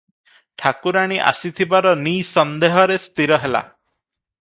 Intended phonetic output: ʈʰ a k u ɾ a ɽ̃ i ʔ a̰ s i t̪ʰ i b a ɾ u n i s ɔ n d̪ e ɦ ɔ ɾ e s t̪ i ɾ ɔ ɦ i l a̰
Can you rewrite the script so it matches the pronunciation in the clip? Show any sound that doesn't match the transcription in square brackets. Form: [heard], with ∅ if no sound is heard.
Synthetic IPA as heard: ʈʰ a k u ɾ a ɽ̃ i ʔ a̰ s i t̪ʰ i b a ɾ [ɔ] n i s ɔ n d̪ e ɦ ɔ ɾ e s t̪ i ɾ ɔ ɦ [e] l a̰